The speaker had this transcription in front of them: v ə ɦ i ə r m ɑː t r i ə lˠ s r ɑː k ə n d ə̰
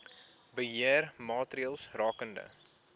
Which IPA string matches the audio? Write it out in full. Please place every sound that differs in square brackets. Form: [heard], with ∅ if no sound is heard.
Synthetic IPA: [b] ə ɦ i ə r m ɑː t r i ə lˠ s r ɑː k ə n d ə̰